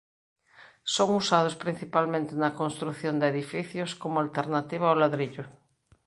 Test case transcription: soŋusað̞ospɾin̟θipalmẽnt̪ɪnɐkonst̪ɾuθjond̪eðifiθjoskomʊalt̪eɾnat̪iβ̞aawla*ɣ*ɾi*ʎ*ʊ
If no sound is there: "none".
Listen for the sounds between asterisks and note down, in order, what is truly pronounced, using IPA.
ð, ʎ

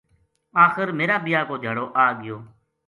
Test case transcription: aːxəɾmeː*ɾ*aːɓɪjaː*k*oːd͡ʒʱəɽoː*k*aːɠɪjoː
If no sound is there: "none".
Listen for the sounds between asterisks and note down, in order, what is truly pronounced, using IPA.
ɾ, k, ʔ

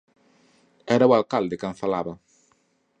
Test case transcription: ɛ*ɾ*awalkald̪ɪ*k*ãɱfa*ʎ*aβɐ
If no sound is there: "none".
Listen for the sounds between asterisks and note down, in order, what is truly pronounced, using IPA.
ɾ, k, l

